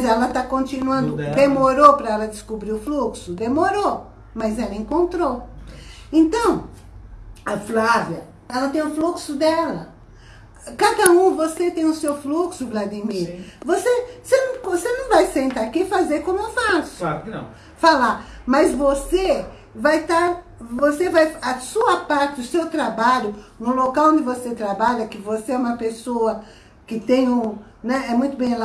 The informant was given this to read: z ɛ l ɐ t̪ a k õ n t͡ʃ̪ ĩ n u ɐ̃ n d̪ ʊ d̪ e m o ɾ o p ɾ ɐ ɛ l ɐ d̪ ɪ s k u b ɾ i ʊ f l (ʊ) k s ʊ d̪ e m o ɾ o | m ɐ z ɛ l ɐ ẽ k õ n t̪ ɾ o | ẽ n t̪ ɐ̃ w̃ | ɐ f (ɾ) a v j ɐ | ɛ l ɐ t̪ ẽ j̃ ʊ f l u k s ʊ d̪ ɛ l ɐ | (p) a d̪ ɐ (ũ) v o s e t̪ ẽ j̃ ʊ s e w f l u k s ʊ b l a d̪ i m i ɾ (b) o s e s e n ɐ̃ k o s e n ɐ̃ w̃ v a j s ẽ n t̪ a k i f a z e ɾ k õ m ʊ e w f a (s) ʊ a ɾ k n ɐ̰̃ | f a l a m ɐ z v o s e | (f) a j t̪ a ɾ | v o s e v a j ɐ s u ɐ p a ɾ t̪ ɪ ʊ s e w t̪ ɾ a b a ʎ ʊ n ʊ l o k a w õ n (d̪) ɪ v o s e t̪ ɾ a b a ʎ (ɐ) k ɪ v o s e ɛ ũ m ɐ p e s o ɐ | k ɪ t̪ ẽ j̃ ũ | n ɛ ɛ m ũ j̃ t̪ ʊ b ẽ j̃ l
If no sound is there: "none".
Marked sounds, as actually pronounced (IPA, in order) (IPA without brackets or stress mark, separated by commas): u, l, k, ũ, v, s, v, d̪, ɐ